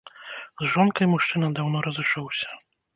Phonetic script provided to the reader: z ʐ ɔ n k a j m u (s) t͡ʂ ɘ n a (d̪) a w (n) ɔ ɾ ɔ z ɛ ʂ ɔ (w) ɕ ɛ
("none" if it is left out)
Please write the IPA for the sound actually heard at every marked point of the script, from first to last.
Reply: ʂ, d̪, n, w

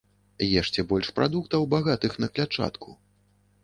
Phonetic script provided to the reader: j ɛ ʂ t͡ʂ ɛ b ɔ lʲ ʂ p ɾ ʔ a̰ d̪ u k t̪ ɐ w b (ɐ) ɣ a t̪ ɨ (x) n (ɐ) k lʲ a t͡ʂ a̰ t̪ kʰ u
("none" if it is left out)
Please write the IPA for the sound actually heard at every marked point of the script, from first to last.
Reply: a, x, ɐ

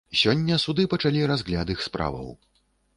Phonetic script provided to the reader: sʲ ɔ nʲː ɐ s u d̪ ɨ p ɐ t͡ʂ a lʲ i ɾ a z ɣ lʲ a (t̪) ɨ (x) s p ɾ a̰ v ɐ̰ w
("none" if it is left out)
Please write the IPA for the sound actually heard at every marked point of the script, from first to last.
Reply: d̪, x

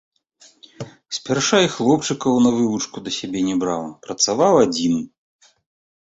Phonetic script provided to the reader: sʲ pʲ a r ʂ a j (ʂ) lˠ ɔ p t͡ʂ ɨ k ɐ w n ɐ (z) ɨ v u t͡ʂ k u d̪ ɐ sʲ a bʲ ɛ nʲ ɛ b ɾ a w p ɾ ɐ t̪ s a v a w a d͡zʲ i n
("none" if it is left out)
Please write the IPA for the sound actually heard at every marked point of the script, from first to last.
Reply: x, v

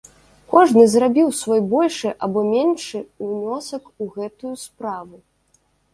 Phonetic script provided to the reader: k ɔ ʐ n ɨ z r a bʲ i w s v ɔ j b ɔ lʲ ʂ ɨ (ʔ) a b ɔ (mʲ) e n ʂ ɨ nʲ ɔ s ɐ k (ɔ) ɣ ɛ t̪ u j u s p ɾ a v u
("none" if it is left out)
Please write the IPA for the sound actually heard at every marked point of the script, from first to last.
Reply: ʔ, mʲ, u

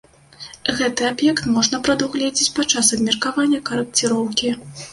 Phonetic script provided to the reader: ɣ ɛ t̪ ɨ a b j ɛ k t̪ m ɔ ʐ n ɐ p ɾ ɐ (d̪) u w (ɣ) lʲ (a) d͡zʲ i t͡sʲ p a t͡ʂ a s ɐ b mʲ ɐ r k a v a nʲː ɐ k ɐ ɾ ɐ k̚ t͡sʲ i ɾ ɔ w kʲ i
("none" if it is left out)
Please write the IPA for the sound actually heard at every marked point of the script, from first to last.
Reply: d̪, ɣ, ɛ

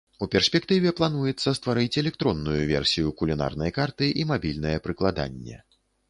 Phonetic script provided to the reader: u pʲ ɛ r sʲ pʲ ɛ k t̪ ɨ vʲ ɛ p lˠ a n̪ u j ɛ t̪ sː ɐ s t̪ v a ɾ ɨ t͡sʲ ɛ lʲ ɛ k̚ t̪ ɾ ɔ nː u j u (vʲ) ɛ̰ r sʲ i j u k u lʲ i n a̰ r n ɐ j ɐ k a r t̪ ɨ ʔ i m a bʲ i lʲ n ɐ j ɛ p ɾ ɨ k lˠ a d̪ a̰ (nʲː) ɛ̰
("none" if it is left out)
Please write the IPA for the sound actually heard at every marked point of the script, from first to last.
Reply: vʲ, nʲː

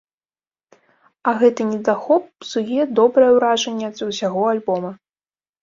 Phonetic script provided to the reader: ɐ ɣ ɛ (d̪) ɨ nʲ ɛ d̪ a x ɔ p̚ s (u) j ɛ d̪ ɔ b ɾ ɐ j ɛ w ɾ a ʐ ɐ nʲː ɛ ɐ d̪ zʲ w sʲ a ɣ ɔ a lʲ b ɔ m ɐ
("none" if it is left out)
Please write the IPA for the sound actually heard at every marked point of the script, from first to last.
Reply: t̪, u

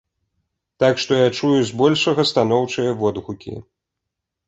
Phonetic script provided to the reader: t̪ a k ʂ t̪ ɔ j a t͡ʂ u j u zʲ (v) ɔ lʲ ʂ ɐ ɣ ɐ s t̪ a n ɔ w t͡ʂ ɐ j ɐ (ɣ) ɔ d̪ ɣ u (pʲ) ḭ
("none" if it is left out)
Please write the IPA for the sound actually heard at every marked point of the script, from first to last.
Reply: b, v, kʲ

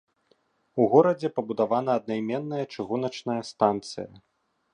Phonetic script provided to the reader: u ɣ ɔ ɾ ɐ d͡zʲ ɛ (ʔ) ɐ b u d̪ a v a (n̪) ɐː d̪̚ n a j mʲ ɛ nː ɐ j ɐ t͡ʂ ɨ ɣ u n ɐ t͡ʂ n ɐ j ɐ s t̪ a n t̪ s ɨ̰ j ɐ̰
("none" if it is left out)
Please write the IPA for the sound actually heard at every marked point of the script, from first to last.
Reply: p, n̪

